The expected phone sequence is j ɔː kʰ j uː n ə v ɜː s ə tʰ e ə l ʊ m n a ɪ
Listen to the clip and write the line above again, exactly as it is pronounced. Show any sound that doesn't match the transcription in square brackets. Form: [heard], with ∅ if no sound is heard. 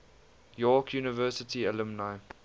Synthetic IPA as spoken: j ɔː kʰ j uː n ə v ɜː s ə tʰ [i] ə l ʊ m n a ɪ

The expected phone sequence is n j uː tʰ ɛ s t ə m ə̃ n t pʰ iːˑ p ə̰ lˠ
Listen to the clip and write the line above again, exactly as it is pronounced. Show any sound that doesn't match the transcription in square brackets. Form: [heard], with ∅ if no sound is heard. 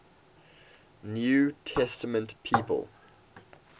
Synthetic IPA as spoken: n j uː tʰ ɛ s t ə m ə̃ n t pʰ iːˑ p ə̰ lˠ

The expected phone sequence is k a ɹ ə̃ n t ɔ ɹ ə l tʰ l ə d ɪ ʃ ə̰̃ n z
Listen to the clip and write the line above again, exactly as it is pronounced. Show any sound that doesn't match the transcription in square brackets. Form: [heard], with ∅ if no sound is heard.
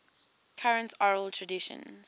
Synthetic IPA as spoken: [kʰ] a ɹ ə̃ n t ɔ ɹ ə l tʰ [ɹ] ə d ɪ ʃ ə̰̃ n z

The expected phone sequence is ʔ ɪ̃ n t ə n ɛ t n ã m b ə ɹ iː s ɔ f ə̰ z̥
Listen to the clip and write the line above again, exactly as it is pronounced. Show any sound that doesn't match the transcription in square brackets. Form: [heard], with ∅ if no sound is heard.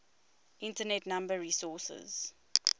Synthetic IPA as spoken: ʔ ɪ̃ n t ə n ɛ t n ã m b ə ɹ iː s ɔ [s] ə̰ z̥

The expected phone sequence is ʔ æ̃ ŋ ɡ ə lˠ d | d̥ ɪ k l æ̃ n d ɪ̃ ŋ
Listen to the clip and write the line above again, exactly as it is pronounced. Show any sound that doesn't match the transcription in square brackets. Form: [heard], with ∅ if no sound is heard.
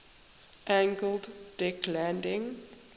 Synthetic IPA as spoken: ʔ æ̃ ŋ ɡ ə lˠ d | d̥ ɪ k l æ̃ n d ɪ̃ ŋ

